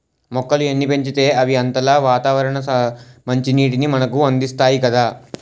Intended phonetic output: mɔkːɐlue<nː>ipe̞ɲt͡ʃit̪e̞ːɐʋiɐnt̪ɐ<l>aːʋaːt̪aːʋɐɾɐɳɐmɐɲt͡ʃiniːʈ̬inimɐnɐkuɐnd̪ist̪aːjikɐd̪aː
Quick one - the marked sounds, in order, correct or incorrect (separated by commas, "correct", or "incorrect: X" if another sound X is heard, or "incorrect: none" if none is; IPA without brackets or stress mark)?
correct, correct